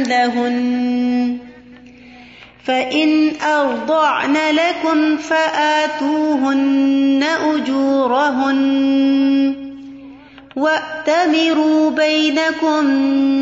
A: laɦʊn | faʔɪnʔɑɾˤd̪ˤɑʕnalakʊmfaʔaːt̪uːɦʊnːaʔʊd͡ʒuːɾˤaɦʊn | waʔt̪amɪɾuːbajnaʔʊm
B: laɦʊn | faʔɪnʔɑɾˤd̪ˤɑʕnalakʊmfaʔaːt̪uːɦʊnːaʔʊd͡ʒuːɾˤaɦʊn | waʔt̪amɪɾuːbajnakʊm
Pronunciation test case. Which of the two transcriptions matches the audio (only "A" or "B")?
B